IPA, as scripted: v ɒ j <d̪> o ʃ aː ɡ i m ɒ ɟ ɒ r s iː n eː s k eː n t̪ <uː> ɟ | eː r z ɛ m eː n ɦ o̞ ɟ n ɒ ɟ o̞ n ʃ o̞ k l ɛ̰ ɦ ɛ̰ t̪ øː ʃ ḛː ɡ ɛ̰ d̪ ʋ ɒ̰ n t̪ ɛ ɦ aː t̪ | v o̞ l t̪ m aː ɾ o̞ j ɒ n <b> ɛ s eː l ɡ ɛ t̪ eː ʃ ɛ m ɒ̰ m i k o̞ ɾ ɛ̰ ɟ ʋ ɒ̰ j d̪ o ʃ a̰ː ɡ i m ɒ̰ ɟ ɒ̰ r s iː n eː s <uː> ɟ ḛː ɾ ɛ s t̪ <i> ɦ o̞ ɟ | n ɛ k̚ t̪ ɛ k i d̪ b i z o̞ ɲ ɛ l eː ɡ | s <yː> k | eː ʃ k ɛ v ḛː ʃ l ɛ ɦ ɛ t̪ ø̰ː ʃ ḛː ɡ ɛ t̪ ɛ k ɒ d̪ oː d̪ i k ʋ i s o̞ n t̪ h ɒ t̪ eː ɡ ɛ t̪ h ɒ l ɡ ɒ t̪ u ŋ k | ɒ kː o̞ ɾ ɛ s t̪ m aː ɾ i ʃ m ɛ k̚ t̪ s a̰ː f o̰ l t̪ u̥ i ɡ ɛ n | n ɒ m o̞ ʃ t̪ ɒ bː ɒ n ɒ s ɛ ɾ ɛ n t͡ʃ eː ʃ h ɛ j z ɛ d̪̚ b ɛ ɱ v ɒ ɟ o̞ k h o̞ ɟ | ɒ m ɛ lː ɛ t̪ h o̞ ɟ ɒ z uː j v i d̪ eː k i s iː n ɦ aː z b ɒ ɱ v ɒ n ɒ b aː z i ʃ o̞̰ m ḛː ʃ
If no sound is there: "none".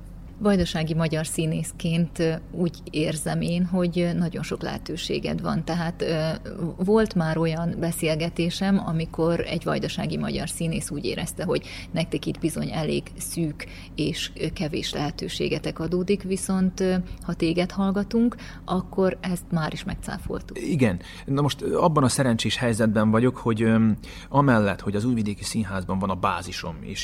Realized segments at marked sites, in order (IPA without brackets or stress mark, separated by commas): d̪, uː, b, uː, ɛ, yː